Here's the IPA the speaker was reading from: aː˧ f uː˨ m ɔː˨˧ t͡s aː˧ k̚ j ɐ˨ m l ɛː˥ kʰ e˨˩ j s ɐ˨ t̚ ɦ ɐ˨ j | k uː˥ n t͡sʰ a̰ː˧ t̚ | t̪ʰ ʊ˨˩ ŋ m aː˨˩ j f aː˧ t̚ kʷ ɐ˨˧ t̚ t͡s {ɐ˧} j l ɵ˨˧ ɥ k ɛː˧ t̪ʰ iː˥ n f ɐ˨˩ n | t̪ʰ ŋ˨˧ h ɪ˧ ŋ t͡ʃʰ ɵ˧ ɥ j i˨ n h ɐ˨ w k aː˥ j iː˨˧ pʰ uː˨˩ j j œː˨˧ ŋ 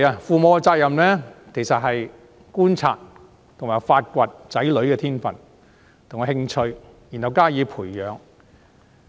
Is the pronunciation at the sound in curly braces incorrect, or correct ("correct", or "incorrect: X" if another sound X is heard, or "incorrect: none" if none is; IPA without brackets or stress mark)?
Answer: incorrect: ɐ˨˥